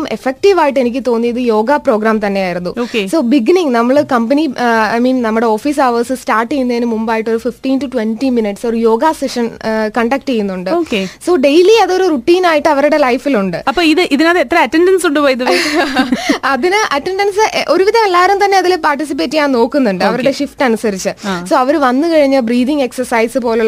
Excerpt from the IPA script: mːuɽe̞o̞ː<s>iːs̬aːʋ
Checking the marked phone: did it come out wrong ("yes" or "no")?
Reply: yes